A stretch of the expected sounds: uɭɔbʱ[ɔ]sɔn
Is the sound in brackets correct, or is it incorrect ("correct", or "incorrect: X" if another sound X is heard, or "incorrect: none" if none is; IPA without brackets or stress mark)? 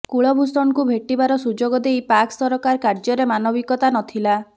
incorrect: u